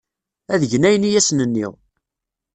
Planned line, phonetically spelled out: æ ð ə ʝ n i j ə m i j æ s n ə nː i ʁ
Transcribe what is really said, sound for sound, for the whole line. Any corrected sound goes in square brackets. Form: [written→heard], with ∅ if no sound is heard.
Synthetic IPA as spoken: æ ð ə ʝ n [i→æ] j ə [m→n] i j æ s n ə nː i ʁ